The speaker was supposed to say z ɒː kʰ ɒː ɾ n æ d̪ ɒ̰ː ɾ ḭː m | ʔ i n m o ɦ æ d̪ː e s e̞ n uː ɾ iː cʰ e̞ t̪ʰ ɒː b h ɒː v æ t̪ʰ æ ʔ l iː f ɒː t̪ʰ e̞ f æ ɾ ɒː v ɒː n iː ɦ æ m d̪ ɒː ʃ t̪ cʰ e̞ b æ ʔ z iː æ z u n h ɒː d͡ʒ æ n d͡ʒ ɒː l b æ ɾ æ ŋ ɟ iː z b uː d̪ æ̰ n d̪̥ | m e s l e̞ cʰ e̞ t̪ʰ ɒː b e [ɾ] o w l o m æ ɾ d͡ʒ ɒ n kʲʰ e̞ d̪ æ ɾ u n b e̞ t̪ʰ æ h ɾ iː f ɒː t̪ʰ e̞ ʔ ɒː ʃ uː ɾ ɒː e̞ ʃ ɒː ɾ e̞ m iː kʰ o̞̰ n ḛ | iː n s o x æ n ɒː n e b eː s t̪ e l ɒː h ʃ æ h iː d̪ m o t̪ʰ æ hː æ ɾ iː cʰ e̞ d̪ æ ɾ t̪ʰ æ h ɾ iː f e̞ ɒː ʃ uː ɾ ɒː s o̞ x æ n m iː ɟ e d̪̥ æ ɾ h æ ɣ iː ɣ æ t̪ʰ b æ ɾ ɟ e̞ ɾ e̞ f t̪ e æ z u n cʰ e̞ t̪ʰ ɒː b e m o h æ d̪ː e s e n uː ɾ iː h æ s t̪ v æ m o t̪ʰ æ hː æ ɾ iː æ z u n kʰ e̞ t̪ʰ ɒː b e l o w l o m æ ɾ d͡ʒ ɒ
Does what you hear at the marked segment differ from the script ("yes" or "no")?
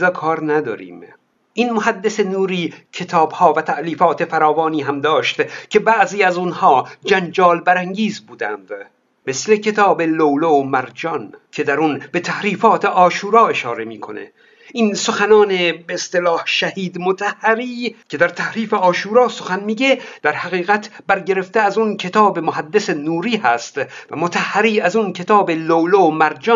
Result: yes